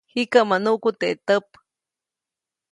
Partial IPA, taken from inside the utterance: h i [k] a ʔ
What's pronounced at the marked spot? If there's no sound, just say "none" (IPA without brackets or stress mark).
k